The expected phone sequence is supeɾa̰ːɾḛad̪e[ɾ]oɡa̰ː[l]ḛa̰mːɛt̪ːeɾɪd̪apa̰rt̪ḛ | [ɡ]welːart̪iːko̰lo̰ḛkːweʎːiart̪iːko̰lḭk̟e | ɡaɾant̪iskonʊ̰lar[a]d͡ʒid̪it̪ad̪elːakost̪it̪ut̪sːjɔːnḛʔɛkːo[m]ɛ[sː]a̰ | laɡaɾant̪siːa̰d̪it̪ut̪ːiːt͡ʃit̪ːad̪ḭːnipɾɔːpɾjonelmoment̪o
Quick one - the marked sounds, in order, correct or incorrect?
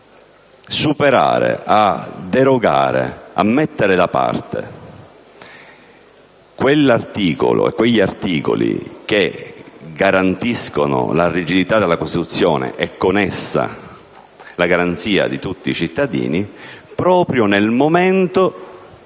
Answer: correct, incorrect, incorrect, incorrect, incorrect, correct

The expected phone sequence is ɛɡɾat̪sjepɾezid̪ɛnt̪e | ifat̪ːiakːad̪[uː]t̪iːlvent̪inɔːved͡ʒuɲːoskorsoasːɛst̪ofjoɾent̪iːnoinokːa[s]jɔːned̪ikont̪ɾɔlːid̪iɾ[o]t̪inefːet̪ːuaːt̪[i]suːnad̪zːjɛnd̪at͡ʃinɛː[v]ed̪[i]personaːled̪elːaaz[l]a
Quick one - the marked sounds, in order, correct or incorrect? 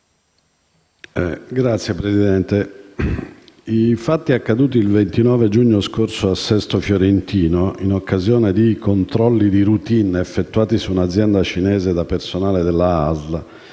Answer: correct, incorrect, incorrect, correct, incorrect, incorrect, correct

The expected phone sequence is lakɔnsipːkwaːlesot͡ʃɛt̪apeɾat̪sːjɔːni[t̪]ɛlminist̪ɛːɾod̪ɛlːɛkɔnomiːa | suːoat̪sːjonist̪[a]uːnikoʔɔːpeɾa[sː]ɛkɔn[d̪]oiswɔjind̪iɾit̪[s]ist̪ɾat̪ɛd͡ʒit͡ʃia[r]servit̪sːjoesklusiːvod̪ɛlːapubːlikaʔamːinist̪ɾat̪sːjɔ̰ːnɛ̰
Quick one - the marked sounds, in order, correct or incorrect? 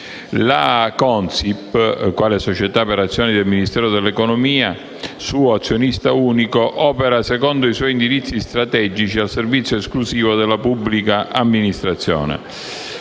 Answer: incorrect, correct, incorrect, correct, incorrect, incorrect

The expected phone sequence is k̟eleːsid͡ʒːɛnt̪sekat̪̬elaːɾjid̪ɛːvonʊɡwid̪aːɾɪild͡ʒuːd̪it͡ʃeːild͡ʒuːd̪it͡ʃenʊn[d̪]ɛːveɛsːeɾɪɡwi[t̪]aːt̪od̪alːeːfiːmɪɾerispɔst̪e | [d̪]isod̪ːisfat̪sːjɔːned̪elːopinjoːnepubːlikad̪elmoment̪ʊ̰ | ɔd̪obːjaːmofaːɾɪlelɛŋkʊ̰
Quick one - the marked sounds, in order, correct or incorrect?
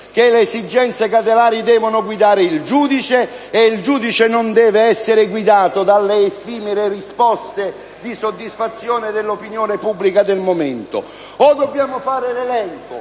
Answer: correct, incorrect, correct

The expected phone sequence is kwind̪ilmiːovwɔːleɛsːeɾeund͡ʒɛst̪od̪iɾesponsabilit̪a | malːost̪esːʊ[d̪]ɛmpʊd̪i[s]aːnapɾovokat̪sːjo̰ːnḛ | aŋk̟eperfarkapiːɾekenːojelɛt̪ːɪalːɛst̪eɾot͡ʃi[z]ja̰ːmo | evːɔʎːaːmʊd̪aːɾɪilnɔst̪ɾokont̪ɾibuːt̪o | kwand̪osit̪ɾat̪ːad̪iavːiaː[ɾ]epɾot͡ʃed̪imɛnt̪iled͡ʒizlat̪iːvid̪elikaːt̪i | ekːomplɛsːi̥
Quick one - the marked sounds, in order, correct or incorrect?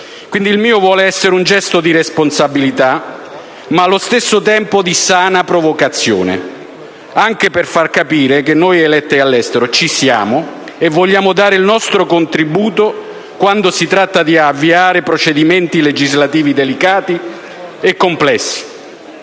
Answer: incorrect, correct, incorrect, correct

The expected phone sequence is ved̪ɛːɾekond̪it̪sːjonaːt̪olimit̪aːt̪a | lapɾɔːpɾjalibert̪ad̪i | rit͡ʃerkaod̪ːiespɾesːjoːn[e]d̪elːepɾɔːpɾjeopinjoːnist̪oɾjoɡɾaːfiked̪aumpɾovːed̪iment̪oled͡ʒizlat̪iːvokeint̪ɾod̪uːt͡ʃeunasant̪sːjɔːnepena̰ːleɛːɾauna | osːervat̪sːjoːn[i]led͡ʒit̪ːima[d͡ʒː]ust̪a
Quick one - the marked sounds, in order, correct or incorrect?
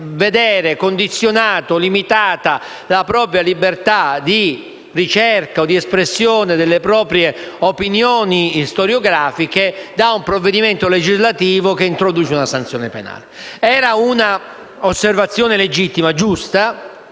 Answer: correct, incorrect, incorrect

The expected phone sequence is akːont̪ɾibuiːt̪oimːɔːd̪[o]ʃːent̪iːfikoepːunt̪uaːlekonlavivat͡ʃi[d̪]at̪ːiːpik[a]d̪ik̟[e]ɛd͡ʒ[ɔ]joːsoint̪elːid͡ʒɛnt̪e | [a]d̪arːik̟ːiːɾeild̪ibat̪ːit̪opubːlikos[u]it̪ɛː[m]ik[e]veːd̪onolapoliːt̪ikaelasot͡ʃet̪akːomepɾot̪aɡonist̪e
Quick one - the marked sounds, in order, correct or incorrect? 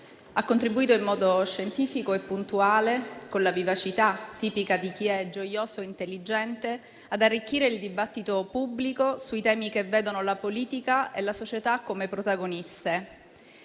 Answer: correct, incorrect, correct, incorrect, incorrect, correct, correct, correct, correct

